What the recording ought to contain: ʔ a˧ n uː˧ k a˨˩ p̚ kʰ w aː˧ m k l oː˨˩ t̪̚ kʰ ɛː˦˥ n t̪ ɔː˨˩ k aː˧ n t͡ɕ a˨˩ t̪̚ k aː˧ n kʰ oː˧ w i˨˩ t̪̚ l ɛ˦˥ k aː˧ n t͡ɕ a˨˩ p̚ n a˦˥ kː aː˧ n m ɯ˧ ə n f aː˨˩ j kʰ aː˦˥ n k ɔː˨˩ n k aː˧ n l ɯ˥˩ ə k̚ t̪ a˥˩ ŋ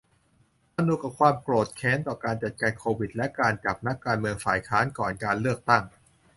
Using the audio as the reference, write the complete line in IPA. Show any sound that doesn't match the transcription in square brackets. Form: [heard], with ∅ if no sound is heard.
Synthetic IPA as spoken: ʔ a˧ n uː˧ k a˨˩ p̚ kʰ w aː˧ m k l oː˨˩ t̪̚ kʰ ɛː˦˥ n t̪ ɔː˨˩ k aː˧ n t͡ɕ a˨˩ t̪̚ k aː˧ n kʰ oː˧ w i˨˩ t̪̚ l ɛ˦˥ k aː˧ n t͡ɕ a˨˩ p̚ n a˦˥ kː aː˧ n m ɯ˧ ə [ŋ] f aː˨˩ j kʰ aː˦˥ n k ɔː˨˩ n k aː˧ n l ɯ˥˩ ə k̚ t̪ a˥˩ ŋ